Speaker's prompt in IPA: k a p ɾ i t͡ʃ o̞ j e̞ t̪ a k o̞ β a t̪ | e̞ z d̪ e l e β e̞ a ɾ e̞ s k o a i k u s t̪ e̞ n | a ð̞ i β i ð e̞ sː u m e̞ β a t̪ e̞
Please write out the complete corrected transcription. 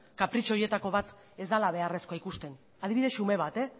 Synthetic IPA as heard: k a p ɾ i t͡ʃ o̞ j e̞ t̪ a k o̞ β a t̪ | e̞ z d̪ a l a β e̞ a r e̞ s k o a i k u s t̪ e̞ n | a ð̞ i β i ð e̞ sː u m e̞ β a t̪ e̞